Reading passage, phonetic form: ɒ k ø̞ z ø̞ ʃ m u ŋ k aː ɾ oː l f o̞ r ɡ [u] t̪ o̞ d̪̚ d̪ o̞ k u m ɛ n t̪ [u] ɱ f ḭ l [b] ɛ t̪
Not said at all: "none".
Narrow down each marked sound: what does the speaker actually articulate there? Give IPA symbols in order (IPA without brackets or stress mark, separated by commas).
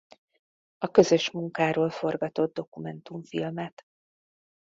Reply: ɒ, u, m